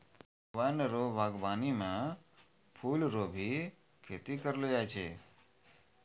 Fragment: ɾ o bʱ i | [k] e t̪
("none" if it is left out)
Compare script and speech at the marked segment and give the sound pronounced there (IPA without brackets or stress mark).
kʰ